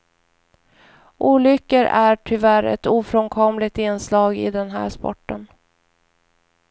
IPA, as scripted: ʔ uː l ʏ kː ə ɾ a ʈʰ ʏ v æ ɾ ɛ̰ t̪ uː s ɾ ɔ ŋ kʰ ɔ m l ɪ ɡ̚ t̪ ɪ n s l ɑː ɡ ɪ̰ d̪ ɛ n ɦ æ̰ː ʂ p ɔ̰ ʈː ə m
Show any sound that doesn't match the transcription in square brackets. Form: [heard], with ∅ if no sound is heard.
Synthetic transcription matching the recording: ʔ uː l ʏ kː ə ɾ [æ] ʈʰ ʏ v æ ɾ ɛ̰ t̪ uː [f] ɾ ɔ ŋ kʰ ɔ m l ɪ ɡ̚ t̪ ɪ n s l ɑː ɡ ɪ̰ d̪ ɛ n ɦ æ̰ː ʂ p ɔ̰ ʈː ə [n]